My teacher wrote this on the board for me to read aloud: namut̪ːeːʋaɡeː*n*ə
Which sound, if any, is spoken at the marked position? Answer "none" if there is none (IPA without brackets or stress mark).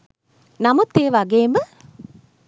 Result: m